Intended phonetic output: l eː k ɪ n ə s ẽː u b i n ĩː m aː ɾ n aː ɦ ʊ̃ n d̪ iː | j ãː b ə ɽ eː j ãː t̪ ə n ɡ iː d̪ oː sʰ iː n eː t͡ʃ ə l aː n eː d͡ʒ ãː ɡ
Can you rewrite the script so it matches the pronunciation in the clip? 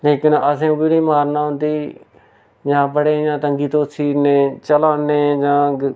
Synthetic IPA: l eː k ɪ n ə s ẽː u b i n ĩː m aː ɾ n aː ɦ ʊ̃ n d̪ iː | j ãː b ə ɽ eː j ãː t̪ ə ŋ ɡ iː t̪ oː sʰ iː n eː t͡ʃ ə l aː n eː d͡ʒ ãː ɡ